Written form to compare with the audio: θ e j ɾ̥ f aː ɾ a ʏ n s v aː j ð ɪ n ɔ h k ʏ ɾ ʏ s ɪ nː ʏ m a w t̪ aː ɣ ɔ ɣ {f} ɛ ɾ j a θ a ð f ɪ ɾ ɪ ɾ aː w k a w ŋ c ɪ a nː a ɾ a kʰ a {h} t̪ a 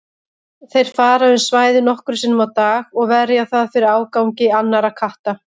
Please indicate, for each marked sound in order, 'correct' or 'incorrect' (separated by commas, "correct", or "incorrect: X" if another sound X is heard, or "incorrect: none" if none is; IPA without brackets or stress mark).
incorrect: v, correct